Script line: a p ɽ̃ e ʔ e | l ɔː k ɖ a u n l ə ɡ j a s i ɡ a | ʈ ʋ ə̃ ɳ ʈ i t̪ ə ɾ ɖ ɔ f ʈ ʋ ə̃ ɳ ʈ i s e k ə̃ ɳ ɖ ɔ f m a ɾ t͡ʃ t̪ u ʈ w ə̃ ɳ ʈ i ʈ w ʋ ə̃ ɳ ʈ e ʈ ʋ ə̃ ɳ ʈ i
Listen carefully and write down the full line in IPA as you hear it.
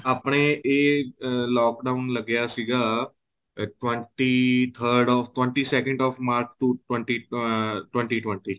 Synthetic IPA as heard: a p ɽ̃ e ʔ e | l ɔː k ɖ a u n l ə ɡ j a s i ɡ a | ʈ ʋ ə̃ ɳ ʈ i t̪ʰ ə ɾ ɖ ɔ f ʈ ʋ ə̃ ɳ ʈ i s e k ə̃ ɳ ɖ ɔ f m a ɾ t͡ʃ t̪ u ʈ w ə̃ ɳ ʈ i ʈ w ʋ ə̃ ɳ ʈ i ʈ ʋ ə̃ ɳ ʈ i

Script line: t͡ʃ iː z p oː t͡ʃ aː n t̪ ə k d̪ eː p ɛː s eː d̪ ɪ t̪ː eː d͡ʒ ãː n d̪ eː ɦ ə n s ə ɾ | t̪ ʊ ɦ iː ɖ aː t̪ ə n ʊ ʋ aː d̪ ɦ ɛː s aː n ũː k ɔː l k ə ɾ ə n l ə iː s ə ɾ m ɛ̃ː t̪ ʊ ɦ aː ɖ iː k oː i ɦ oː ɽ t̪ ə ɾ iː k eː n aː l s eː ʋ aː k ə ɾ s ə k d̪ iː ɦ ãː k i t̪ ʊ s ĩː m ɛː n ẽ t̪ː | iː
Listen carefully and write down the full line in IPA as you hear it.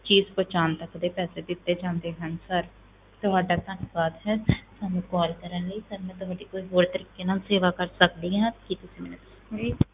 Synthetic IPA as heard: t͡ʃ iː z p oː t͡ʃ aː n t̪ ə k d̪ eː p ɛː s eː d̪ ɪ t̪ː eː d͡ʒ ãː n d̪ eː ɦ ə n s ə ɾ | t̪ ʊ ɦ aː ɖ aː t̪ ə n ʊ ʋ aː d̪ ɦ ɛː s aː n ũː k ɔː l k ə ɾ ə n l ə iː s ə ɾ m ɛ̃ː t̪ ʊ ɦ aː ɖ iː k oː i ɦ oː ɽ t̪ ə ɾ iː k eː n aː l s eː ʋ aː k ə ɾ s ə k d̪ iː ɦ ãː k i t̪ ʊ s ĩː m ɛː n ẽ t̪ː | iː

